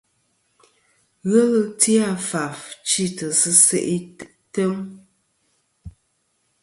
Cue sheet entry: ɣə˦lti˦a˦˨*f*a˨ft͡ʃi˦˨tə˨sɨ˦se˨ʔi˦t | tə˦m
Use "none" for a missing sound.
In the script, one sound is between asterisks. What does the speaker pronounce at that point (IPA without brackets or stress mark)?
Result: f